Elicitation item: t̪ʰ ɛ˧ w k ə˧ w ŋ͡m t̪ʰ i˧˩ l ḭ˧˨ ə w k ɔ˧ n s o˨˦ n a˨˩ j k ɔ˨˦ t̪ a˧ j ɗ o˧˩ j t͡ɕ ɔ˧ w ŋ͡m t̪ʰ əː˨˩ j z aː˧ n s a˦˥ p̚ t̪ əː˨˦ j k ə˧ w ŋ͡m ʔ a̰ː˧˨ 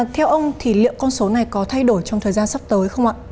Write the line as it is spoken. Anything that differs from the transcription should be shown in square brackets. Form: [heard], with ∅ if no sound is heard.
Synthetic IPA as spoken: t̪ʰ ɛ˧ w [ʔ] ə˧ w ŋ͡m t̪ʰ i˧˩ l ḭ˧˨ ə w k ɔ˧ n s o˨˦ n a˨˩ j k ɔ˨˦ [t̪ʰ] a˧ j ɗ o˧˩ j t͡ɕ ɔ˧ w ŋ͡m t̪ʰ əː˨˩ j z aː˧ n s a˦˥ p̚ t̪ əː˨˦ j [x] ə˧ w ŋ͡m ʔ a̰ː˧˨

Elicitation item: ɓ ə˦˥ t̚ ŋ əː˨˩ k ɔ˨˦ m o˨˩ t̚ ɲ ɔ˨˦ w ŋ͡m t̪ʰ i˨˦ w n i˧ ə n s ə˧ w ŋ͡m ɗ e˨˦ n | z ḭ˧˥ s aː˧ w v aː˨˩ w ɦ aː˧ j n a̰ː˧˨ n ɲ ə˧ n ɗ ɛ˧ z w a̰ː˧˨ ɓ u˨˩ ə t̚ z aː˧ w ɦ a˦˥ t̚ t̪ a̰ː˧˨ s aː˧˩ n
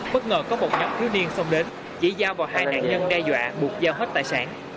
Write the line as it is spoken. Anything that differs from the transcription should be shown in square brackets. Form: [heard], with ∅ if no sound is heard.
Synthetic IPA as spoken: ɓ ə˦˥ t̚ ŋ əː˨˩ k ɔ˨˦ m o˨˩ t̚ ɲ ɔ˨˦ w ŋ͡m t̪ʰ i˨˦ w n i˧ ə n s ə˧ w ŋ͡m ɗ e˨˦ n | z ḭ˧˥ [z] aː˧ w v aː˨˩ w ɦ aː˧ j n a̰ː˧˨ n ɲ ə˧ n ɗ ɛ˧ z w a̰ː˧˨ ɓ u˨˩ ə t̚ z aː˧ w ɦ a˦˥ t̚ t̪ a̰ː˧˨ s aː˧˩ n

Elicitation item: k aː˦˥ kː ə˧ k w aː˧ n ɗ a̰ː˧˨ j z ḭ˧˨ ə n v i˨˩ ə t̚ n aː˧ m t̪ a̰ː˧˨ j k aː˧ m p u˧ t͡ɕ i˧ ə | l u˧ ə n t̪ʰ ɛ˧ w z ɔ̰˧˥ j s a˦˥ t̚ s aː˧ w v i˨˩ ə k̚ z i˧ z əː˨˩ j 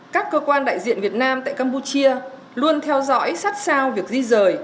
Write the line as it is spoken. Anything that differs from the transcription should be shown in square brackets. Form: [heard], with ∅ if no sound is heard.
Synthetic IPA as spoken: k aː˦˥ kː [əː˧] k w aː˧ n ɗ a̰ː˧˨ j z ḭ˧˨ ə n v i˨˩ ə t̚ n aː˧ m t̪ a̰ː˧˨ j k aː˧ m p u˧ t͡ɕ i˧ ə | l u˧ ə n t̪ʰ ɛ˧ w z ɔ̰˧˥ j s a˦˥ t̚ s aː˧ w v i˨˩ ə k̚ z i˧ z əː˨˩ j

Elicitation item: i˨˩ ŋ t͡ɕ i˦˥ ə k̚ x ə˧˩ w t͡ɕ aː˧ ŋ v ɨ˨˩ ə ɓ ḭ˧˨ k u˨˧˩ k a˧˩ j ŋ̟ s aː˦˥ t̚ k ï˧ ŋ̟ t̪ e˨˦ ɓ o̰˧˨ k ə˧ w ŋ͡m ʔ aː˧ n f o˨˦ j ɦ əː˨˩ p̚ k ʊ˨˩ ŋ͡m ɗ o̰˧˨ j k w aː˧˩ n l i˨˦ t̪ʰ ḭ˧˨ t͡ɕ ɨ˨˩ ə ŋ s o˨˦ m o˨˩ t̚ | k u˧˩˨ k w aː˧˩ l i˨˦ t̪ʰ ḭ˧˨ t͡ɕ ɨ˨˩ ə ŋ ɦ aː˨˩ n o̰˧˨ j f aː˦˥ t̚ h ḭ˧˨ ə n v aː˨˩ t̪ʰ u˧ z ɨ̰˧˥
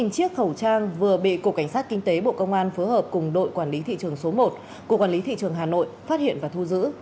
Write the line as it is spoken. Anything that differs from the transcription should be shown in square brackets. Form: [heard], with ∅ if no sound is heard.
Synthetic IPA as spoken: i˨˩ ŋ t͡ɕ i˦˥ ə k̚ x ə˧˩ w t͡ɕ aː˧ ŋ v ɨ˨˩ ə ɓ ḭ˧˨ k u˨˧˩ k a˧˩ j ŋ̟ s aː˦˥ t̚ k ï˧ ŋ̟ t̪ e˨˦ ɓ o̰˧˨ k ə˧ w ŋ͡m ʔ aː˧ n f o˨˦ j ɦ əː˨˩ p̚ k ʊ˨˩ ŋ͡m ɗ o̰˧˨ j k w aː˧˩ n l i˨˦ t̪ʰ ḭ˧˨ t͡ɕ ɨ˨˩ ə ŋ s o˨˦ m o˨˩ t̚ | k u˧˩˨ k w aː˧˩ l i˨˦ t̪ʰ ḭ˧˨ t͡ɕ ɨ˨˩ ə ŋ ɦ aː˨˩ n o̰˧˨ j f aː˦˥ t̚ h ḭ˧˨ ə n v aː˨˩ t̪ʰ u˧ z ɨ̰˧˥

